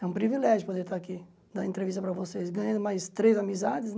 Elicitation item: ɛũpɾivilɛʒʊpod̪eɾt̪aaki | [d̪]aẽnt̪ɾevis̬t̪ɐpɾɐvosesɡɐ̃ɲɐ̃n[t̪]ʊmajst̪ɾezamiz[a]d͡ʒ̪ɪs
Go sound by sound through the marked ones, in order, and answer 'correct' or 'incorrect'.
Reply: correct, incorrect: d̪, correct

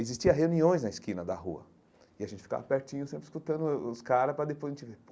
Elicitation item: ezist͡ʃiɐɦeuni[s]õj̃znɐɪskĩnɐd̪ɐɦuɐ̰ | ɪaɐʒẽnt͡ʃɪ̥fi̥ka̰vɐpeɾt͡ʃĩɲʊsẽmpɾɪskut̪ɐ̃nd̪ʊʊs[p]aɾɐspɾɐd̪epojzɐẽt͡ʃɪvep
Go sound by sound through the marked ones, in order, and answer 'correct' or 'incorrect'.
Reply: incorrect: none, incorrect: k

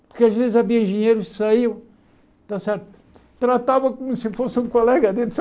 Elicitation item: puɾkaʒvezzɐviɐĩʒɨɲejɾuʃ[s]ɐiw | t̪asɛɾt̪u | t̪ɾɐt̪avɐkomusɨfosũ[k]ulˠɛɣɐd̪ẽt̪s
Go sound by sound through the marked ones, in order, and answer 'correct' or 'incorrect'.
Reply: correct, correct

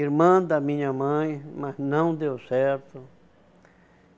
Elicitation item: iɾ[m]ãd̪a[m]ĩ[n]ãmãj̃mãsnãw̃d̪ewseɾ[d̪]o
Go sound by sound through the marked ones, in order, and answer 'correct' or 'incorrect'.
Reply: correct, correct, incorrect: ɲ, incorrect: t̪

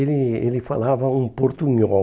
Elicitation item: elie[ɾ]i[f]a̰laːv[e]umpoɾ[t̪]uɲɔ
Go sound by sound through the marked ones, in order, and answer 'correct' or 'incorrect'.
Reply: incorrect: l, correct, incorrect: a, correct

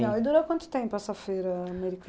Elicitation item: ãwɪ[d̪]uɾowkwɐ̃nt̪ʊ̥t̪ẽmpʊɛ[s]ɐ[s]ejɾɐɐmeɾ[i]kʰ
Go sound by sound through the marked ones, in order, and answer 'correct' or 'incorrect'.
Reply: correct, correct, incorrect: f, correct

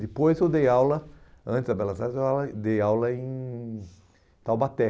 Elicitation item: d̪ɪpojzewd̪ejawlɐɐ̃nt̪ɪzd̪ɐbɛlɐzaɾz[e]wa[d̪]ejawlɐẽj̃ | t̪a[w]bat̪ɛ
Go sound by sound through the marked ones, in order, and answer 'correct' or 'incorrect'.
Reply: correct, correct, correct

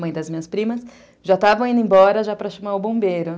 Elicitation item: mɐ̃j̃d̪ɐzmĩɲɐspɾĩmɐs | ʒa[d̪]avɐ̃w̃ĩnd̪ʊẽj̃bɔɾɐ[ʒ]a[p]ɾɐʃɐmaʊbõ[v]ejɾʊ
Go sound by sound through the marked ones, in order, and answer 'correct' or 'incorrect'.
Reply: incorrect: t̪, correct, correct, incorrect: b

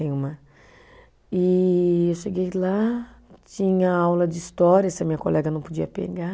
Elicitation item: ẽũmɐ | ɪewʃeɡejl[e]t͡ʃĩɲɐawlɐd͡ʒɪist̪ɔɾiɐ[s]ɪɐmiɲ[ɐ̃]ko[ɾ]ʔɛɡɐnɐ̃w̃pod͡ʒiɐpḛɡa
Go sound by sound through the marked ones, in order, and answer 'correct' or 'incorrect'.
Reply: incorrect: a, correct, incorrect: ɐ, incorrect: l

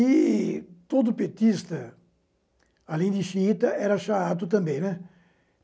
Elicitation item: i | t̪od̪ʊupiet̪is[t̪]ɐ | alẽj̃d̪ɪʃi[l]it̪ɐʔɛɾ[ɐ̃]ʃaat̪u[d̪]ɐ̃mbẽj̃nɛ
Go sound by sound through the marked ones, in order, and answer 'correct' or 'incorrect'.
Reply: correct, incorrect: none, incorrect: ɐ, incorrect: t̪

